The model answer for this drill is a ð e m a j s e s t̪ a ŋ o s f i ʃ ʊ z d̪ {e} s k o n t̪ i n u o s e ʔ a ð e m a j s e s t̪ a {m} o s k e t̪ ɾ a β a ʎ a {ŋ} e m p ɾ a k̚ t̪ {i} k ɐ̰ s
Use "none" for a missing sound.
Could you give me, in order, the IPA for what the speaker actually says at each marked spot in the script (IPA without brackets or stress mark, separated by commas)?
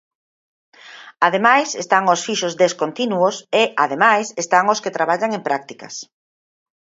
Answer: e, ŋ, ŋ, i